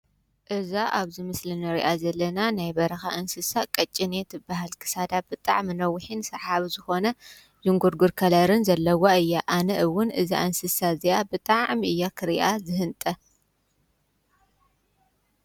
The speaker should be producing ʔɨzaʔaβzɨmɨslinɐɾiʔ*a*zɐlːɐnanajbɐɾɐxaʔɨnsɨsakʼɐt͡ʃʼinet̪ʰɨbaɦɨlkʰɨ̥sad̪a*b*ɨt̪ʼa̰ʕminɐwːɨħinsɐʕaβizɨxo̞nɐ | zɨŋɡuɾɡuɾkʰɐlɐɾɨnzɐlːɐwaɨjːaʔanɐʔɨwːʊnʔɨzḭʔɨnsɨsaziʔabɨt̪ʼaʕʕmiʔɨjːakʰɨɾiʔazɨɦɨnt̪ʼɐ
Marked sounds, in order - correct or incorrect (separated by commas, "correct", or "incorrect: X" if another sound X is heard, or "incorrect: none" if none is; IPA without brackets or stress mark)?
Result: correct, correct